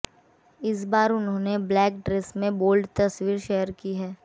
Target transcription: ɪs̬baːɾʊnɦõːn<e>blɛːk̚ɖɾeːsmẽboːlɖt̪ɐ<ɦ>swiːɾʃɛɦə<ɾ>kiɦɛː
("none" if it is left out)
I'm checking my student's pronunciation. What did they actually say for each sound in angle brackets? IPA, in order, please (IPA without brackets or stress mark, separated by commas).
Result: e, none, ɾ